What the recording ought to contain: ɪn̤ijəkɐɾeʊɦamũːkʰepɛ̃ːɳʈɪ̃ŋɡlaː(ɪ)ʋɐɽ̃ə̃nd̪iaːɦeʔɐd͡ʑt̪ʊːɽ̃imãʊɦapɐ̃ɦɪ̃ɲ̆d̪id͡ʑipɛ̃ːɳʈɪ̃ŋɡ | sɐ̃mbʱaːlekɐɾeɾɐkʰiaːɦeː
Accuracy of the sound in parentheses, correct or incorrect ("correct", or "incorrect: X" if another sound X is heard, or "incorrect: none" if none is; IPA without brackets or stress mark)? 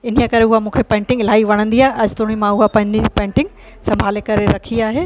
incorrect: i